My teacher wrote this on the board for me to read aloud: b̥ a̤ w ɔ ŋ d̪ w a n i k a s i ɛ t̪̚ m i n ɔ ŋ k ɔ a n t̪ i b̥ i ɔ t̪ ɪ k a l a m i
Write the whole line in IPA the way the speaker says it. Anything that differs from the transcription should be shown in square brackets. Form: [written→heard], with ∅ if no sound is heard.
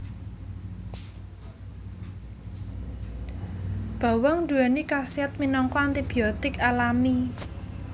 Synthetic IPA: b̥ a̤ w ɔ ŋ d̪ [w→u] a n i k a s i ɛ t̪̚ m i n ɔ ŋ k ɔ a n t̪ i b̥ i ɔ t̪ ɪ k a l a m i